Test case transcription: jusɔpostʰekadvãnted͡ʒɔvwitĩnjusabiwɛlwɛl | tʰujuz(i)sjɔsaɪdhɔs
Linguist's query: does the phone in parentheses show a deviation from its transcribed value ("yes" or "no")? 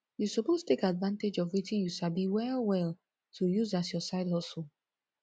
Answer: yes